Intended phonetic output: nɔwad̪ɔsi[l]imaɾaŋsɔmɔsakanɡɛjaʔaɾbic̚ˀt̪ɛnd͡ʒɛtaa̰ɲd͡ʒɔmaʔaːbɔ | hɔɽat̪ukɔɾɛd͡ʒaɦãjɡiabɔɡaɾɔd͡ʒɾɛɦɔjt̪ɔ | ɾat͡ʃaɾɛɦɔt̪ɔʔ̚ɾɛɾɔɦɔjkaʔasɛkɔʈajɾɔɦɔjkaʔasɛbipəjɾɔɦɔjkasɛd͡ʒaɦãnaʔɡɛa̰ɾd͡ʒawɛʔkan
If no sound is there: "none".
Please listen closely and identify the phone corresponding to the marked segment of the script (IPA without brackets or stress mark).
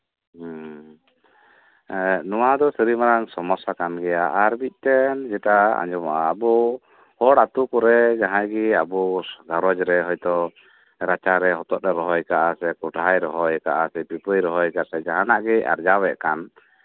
ɾ